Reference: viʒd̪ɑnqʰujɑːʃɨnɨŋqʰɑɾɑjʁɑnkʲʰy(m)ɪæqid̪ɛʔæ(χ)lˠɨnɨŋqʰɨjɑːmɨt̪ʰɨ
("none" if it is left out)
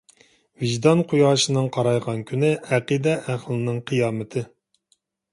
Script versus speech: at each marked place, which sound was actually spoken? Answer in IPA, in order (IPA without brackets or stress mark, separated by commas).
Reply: n, χ